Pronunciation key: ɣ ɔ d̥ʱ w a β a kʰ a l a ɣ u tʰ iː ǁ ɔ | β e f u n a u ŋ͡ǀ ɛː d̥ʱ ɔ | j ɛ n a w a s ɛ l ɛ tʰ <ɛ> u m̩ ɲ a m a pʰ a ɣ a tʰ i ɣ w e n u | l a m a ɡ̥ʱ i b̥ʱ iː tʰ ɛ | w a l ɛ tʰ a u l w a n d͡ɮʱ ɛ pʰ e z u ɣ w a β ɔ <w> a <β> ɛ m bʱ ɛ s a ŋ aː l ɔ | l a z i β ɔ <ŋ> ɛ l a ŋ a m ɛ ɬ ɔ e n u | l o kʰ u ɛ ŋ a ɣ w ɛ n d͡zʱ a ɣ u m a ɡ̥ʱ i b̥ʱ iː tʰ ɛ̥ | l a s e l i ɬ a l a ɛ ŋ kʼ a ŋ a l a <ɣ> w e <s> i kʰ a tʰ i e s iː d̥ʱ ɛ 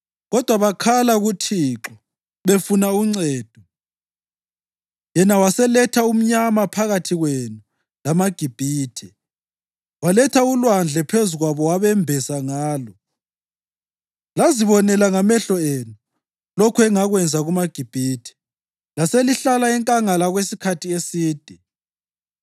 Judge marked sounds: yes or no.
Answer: no, yes, yes, no, yes, yes

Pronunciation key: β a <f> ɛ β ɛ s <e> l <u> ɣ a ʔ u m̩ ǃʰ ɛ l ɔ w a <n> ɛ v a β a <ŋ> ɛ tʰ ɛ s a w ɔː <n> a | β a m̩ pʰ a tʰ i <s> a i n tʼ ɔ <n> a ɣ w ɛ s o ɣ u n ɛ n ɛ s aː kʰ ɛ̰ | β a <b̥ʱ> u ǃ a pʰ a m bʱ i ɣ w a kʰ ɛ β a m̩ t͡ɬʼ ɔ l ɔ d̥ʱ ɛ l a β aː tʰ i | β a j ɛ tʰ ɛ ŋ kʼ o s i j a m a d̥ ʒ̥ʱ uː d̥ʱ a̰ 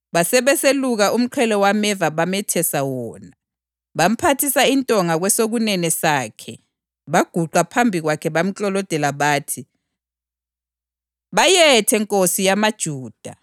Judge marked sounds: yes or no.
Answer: no, yes, yes, no, no, yes, yes, no, no

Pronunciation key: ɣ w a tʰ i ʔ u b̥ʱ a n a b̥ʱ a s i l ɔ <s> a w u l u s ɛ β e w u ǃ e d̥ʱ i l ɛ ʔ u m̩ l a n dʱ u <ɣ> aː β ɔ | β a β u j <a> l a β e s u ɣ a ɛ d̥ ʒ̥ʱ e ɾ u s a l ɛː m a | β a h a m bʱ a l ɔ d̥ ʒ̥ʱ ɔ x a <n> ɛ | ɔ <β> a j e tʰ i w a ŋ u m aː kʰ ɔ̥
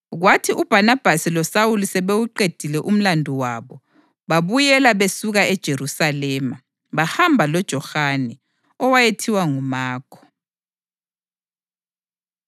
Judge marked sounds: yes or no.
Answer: yes, no, no, yes, no

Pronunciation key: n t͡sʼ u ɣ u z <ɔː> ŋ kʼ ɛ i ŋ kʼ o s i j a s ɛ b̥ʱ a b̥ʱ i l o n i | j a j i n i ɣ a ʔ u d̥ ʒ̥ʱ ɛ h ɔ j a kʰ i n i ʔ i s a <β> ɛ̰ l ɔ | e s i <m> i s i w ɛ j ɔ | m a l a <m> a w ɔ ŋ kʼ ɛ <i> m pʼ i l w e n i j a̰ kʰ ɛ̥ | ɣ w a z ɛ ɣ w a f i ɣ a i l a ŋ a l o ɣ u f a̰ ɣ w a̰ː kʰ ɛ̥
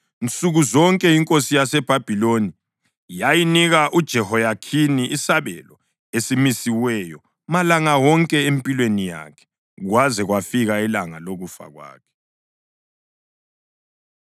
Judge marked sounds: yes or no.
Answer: no, yes, yes, no, no

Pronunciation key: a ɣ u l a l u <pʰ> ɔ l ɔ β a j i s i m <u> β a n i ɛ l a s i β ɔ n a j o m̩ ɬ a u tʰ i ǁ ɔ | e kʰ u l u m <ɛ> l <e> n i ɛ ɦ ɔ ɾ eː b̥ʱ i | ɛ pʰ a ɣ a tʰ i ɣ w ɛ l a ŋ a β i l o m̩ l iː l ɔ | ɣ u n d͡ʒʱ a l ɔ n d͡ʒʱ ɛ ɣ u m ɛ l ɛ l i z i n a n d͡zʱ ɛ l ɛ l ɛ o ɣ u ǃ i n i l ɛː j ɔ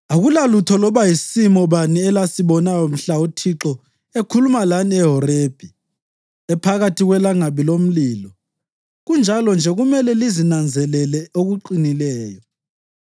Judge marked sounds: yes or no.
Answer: no, no, no, no

